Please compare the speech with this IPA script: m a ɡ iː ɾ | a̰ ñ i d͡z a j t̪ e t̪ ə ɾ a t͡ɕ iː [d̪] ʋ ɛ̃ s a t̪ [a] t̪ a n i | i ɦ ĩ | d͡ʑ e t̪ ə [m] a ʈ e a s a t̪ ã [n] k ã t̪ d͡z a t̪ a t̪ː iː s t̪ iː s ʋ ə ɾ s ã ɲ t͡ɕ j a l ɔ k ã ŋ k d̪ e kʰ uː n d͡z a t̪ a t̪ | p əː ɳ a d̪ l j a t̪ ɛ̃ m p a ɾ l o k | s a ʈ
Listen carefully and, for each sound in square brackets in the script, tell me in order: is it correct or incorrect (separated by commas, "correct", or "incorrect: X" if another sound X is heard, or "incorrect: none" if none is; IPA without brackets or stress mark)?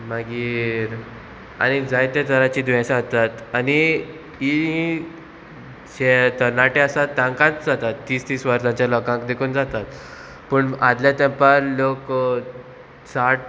correct, correct, incorrect: n, incorrect: ŋ